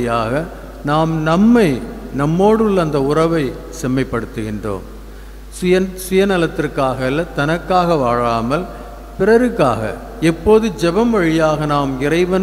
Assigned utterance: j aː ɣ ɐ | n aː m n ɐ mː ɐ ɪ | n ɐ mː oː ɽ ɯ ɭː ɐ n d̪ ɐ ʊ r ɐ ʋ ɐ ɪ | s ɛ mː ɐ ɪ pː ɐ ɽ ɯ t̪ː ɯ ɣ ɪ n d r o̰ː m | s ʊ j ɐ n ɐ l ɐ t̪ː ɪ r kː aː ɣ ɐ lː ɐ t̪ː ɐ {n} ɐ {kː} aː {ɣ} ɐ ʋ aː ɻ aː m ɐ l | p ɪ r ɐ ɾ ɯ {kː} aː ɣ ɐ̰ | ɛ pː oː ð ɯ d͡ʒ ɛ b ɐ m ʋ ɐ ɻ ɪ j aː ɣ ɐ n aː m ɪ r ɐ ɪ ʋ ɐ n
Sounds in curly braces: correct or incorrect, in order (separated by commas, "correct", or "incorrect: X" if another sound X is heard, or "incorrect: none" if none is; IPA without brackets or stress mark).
correct, correct, correct, correct